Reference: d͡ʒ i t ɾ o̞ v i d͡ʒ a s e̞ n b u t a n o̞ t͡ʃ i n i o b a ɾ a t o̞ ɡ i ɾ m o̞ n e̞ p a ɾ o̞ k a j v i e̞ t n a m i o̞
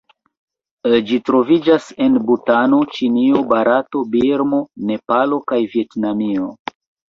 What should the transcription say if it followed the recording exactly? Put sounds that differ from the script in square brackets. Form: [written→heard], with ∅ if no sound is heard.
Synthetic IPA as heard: d͡ʒ i t ɾ o̞ v i d͡ʒ a s e̞ n b u t a n o̞ t͡ʃ i n i o b a ɾ a t o̞ [ɡ→b] i ɾ m o̞ n e̞ p a [ɾ→l] o̞ k a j v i e̞ t n a m i o̞

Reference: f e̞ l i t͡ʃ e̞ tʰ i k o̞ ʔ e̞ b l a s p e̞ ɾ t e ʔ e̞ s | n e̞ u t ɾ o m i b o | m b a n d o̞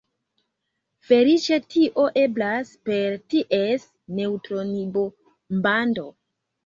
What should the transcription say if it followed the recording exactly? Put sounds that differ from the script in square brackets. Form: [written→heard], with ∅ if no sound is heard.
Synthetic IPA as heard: f e̞ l i t͡ʃ e̞ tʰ i [k→ʔ] o̞ ʔ e̞ b l a s p e̞ ɾ t [e→i] ʔ e̞ s | n e̞ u t ɾ o [m→n] i b o | m b a n d o̞

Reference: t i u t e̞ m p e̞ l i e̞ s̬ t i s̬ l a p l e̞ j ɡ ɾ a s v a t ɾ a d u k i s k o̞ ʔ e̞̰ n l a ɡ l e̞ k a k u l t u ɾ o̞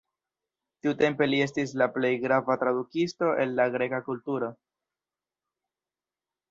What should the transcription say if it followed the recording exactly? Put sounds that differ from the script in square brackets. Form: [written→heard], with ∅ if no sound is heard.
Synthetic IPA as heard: t i u t e̞ m p e̞ l i e̞ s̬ t i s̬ l a p l e̞ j ɡ ɾ a [s→∅] v a t ɾ a d u k i s [k→t] o̞ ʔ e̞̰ n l a ɡ [l→ɾ] e̞ k a k u l t u ɾ o̞

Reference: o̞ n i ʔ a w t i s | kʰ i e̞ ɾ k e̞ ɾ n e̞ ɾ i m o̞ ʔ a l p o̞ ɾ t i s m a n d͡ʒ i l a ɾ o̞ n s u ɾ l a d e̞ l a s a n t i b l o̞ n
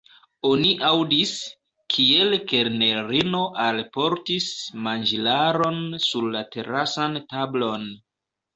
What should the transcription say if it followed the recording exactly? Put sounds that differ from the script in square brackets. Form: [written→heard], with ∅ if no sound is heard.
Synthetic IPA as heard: o̞ n i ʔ a w [t→d] i s | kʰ i e̞ [ɾ→l] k e̞ ɾ n e̞ ɾ i [m→n] o̞ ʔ a l p o̞ ɾ t i s m a n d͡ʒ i l a ɾ o̞ n s u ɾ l a [d→t] e̞ [l→ɾ] a s a n t [i→a] b l o̞ n

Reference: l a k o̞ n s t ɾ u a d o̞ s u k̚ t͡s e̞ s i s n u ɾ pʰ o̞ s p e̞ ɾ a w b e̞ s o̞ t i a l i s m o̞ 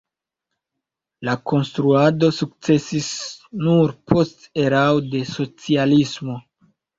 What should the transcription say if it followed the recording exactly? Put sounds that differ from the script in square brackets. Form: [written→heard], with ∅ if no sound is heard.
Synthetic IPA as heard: l a k o̞ n s t ɾ u a d o̞ s u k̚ t͡s e̞ s i s n u ɾ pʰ o̞ s [p→t] e̞ ɾ a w [b→d] e̞ s o̞ [t→t͡s] i a l i s m o̞

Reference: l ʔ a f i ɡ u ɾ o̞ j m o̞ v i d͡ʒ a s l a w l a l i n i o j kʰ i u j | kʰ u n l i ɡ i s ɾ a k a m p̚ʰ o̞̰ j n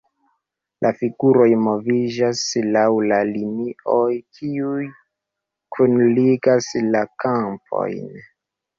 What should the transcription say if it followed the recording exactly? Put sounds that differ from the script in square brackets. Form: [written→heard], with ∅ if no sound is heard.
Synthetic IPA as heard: l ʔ a f i ɡ u ɾ o̞ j m o̞ v i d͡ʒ a s l a w l a l i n i o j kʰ i u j | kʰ u n l i ɡ [i→a] s [ɾ→l] a k a m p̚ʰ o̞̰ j n

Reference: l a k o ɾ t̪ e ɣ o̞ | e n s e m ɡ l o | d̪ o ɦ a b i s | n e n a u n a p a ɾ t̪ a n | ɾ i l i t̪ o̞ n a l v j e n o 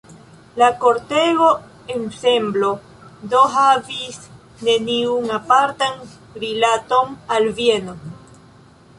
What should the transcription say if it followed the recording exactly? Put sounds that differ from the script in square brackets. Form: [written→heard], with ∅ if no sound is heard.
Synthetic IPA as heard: l a k o ɾ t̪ e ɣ o̞ | e n s e m [ɡ→b] l o | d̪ o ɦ a [b→v] i s | n e n [a→i] u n a p a ɾ t̪ a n | ɾ i l [i→a] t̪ o̞ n a l v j e n o

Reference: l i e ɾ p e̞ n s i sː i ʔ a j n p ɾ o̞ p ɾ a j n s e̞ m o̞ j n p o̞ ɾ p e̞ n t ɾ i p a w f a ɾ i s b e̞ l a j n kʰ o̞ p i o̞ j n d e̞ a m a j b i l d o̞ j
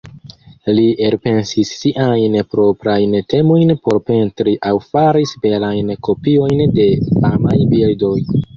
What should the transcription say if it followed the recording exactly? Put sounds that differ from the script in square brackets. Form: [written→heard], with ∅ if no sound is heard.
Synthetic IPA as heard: l i e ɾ p e̞ n s i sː i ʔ a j n p ɾ o̞ p ɾ a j n [s→t] e̞ m o̞ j n p o̞ ɾ p e̞ n t ɾ i [p→ʔ] a w f a ɾ i s b e̞ l a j n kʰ o̞ p i o̞ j n d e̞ a m a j b i l d o̞ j

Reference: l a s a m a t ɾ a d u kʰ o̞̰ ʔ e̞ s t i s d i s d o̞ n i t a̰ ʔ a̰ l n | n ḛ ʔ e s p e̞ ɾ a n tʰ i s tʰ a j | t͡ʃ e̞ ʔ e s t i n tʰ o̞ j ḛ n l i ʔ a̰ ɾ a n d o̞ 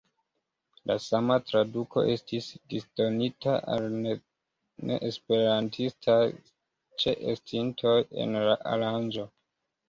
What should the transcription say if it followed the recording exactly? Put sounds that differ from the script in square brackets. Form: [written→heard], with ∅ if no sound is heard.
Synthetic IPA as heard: l a s a m a t ɾ a d u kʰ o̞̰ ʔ e̞ s t i s d i s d o̞ n i t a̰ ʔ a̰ l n | n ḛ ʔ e s p e̞ ɾ a n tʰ i s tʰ a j | t͡ʃ e̞ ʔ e s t i n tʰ o̞ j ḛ n l [i→a] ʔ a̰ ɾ a n [d→d͡ʒ] o̞

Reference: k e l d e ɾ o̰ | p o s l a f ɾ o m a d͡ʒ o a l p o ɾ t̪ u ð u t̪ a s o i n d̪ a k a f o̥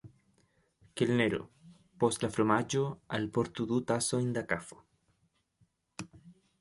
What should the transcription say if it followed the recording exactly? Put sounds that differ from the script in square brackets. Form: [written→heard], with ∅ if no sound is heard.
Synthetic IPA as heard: k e l [d→n] e ɾ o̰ | p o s l a f ɾ o m a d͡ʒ o a l p o ɾ t̪ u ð u t̪ a s o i n d̪ a k a f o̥

